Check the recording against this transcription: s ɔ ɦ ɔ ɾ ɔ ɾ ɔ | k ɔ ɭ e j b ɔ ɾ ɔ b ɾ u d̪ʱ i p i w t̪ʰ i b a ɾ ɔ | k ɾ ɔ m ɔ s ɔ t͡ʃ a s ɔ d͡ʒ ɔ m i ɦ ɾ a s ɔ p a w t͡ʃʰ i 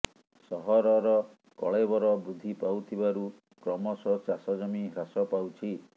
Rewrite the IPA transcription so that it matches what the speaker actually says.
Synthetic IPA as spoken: s ɔ ɦ ɔ ɾ ɔ ɾ ɔ | k ɔ ɭ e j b ɔ ɾ ɔ b ɾ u d̪ʱ i p a w t̪ʰ i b a ɾ u | k ɾ ɔ m ɔ s ɔ t͡ʃ a s ɔ d͡ʒ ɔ m i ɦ ɾ a s ɔ p a w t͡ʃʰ i